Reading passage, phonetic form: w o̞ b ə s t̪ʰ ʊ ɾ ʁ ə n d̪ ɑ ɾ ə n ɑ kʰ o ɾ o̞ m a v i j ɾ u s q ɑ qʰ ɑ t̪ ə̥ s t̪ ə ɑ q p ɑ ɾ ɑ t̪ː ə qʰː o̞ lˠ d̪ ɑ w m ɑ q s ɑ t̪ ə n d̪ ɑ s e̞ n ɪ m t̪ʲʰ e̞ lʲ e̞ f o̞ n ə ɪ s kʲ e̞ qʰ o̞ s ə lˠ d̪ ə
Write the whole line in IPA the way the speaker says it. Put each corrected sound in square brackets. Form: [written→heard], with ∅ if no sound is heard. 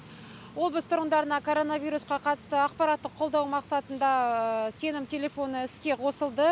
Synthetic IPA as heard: w o̞ b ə s t̪ʰ ʊ ɾ ʁ ə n d̪ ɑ ɾ ə n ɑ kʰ o ɾ o̞ [m→n] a v i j ɾ u s q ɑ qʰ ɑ t̪ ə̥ s t̪ ə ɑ q p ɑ ɾ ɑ t̪ː ə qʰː o̞ lˠ d̪ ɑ w m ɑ q s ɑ t̪ ə n d̪ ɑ s e̞ n ɪ m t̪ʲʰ e̞ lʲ e̞ f o̞ n ə ɪ s kʲ e̞ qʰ o̞ s ə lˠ d̪ ə